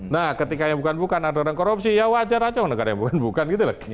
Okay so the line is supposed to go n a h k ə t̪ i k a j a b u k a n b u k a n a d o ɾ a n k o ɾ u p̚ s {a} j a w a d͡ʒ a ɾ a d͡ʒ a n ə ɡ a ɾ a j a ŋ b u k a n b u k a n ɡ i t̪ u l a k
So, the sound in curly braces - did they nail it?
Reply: no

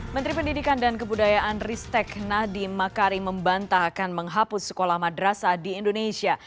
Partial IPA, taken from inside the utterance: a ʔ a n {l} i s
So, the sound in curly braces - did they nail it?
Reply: no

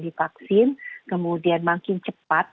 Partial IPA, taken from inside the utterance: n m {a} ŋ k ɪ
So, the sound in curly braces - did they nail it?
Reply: yes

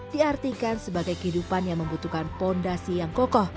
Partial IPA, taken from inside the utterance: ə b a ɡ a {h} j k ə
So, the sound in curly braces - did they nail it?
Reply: no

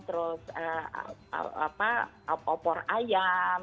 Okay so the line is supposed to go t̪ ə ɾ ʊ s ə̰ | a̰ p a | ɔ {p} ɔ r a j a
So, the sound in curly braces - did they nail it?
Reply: yes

